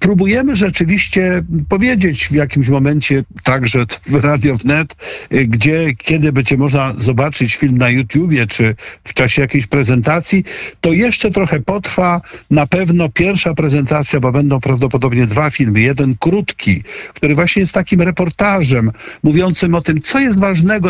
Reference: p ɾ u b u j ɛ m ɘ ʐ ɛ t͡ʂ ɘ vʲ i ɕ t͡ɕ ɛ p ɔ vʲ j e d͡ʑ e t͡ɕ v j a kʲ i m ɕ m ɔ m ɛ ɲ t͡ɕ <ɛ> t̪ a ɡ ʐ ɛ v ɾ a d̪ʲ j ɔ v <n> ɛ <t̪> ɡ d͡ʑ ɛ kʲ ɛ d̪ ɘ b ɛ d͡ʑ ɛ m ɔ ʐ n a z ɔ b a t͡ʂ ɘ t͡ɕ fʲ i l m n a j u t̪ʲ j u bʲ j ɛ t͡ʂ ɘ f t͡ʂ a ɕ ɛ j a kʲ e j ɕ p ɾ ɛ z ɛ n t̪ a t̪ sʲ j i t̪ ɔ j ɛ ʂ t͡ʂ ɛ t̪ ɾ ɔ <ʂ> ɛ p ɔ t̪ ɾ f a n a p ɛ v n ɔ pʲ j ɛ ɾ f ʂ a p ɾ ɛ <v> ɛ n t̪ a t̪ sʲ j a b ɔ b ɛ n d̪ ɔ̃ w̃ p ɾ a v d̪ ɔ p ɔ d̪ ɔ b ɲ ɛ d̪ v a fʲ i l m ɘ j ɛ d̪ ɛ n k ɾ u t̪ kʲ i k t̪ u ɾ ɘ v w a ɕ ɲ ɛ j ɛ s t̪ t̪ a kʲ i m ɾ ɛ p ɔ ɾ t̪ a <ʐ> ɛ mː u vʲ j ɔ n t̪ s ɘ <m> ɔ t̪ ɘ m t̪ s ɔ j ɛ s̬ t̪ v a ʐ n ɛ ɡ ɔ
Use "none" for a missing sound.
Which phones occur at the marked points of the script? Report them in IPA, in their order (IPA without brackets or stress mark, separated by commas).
ɛ, n, t̪, x, z, ʐ, m